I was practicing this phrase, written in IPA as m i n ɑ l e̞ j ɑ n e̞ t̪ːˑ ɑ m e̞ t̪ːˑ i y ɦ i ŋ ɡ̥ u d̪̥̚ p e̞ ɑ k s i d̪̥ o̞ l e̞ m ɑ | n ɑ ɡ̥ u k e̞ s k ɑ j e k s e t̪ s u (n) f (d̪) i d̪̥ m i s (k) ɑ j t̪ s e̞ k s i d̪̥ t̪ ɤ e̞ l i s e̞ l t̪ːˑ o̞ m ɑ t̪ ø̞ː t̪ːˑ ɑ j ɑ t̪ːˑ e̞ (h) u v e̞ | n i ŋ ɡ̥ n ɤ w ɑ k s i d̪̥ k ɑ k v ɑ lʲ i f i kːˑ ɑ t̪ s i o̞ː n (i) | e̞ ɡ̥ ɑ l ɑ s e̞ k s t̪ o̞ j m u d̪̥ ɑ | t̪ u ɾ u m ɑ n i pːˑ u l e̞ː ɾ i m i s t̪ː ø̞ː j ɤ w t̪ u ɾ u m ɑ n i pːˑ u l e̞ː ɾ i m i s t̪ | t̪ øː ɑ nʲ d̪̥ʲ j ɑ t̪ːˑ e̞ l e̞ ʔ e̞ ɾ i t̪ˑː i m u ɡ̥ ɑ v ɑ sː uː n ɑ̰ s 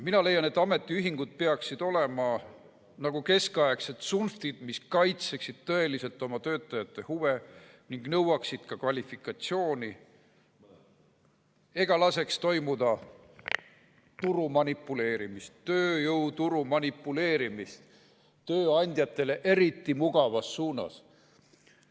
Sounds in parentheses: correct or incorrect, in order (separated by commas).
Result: correct, incorrect, correct, correct, correct